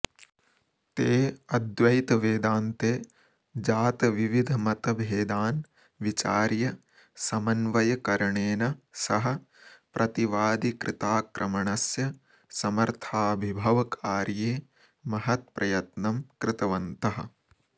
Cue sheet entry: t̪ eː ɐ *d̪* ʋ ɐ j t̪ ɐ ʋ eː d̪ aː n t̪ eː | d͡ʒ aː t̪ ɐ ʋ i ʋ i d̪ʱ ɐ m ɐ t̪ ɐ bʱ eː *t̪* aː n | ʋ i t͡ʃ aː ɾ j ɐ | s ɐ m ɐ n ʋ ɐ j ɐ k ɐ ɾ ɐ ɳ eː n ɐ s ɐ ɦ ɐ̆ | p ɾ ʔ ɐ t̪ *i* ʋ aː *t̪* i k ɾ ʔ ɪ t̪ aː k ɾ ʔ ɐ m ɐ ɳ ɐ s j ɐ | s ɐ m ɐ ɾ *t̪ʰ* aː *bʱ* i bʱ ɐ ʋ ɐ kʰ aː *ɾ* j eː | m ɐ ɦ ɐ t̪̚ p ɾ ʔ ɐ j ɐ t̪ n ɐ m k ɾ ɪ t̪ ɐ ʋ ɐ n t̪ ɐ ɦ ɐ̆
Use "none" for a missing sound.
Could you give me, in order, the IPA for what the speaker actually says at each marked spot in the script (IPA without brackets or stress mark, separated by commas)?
d̪, d̪, i, d̪, t̪ʰ, bʱ, ɾ